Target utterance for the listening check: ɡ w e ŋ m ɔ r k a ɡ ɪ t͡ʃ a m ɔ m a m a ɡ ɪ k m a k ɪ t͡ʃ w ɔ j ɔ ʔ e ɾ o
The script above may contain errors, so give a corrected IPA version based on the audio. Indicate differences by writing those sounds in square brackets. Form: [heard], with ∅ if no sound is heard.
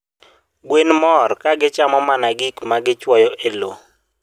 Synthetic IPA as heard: ɡ w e [n] m ɔ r k a ɡ ɪ t͡ʃ a m ɔ m a [n] a ɡ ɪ k m a [ɡ] ɪ t͡ʃ w ɔ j ɔ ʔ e [l] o